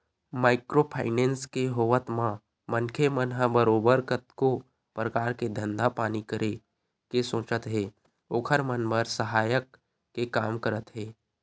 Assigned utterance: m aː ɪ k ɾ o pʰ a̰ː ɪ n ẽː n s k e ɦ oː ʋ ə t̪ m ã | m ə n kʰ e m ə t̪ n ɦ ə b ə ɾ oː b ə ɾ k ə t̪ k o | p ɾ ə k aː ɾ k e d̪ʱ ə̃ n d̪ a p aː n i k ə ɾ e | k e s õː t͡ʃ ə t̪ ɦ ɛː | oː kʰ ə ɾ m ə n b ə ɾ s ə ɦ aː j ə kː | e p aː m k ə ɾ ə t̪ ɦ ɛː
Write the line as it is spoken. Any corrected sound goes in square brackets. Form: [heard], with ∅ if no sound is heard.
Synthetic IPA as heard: m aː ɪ k ɾ o pʰ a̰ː ɪ n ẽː n s k e ɦ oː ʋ ə t̪ m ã | m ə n kʰ e m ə [∅] n ɦ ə b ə ɾ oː b ə ɾ k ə t̪ k o | p ɾ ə k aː ɾ k e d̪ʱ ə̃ n d̪ a p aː n i k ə ɾ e | k e s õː t͡ʃ ə t̪ ɦ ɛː | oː kʰ ə ɾ m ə n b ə ɾ s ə ɦ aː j ə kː | e [k] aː m k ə ɾ ə t̪ ɦ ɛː